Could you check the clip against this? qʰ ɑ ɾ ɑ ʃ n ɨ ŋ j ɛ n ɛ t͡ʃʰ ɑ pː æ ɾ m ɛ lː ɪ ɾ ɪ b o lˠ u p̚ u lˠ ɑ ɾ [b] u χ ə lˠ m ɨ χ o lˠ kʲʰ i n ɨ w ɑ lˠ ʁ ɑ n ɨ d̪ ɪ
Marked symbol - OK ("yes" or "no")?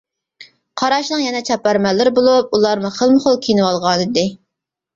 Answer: no